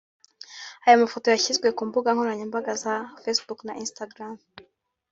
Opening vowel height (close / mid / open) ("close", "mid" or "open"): open